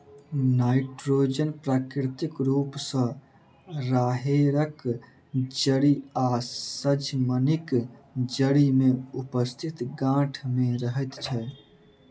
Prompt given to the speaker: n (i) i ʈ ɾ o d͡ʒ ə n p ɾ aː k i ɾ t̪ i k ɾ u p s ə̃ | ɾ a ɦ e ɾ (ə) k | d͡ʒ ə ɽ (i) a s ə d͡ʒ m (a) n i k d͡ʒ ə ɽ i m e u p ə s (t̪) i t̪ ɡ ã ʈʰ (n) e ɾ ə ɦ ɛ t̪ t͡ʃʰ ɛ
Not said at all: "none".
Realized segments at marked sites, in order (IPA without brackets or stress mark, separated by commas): a, ə, i, ə, t̪ʰ, m